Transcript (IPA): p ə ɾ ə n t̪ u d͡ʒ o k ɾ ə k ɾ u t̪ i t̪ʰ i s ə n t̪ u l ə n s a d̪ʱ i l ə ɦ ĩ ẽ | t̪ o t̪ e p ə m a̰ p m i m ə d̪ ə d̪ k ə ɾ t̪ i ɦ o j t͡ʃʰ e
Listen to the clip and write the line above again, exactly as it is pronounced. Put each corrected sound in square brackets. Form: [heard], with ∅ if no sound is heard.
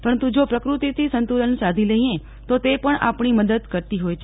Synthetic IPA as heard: p ə ɾ ə n t̪ u d͡ʒ o [p] ɾ ə k ɾ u t̪ i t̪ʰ i s ə n t̪ u l ə n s a d̪ʱ i l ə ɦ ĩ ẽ | t̪ o t̪ e p ə [ɳ] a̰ p [ɳ] i m ə d̪ ə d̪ k ə ɾ t̪ i ɦ o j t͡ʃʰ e